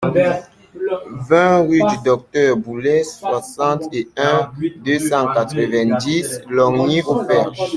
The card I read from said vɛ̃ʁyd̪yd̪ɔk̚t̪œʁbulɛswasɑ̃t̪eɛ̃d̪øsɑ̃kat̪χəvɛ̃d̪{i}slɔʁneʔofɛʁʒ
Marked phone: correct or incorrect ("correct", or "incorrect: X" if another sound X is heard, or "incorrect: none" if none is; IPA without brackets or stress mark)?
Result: correct